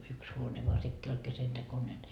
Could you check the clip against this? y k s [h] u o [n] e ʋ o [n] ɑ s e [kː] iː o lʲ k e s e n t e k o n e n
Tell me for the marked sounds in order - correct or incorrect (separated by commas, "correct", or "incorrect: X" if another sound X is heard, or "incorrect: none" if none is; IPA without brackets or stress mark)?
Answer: correct, correct, incorrect: none, correct